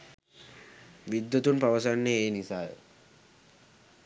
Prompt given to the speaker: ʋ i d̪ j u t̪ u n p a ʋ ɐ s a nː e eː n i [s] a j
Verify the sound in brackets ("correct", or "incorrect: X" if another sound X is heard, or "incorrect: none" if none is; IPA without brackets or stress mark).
correct